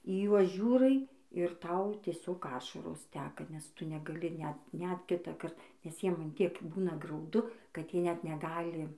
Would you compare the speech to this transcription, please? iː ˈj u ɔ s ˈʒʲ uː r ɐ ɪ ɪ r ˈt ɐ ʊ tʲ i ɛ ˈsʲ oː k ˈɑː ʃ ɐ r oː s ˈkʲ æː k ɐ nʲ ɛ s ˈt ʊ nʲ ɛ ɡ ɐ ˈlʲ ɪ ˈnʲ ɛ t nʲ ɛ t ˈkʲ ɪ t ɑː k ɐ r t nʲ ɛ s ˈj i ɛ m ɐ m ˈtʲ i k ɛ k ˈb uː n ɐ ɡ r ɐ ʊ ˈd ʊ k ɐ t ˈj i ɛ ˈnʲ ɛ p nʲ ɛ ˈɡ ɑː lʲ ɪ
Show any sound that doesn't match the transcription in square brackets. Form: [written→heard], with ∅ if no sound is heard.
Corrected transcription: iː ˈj u ɔ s ˈʒʲ uː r ɐ ɪ ɪ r ˈt ɐ ʊ tʲ i ɛ ˈsʲ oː k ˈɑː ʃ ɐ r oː s [ˈkʲ→ˈtʲ] æː k ɐ nʲ ɛ s ˈt ʊ nʲ ɛ ɡ ɐ ˈlʲ ɪ ˈnʲ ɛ t nʲ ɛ t ˈkʲ ɪ t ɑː k ɐ r t nʲ ɛ s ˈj i ɛ m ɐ [m→n] ˈtʲ i [k→∅] ɛ k ˈb uː n ɐ ɡ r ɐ ʊ ˈd ʊ k ɐ t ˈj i ɛ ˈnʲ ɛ [p→t] nʲ ɛ ˈɡ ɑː lʲ ɪ